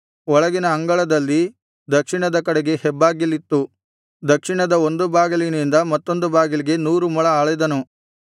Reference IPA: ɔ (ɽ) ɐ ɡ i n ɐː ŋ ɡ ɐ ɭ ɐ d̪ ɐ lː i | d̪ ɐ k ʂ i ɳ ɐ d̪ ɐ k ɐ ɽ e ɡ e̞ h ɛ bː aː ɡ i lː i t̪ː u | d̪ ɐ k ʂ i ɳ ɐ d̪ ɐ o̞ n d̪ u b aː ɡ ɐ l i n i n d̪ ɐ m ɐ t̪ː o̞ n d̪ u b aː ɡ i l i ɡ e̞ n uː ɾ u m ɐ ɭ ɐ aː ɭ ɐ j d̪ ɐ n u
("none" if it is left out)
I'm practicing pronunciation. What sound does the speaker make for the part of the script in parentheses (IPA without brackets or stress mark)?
ɭ